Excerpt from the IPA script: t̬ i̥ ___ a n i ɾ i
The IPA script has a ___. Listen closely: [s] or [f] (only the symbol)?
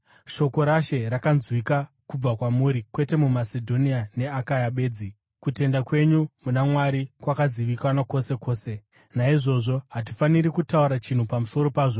f